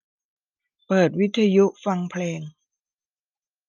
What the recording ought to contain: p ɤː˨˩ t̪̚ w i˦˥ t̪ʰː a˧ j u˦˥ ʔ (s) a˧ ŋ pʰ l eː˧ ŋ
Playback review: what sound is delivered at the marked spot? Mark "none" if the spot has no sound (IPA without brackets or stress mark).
f